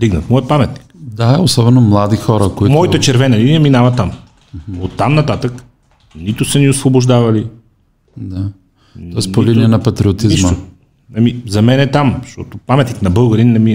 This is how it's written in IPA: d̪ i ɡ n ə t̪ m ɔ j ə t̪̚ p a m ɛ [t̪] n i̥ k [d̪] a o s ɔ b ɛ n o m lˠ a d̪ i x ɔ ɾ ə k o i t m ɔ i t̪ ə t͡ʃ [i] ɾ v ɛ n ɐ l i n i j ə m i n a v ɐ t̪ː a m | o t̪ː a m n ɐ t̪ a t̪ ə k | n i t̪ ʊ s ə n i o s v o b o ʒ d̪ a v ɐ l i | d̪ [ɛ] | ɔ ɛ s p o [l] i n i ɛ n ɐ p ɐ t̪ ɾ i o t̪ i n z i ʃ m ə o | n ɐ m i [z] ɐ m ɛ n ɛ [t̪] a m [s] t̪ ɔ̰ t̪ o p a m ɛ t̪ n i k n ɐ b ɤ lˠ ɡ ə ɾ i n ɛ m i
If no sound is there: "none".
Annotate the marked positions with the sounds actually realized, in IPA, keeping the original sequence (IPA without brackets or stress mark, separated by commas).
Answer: t̪, d̪, ɛ, a, l, z, t̪, ʃ